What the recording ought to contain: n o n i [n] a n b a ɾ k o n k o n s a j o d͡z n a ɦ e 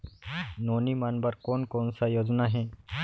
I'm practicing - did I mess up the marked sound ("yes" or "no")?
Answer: yes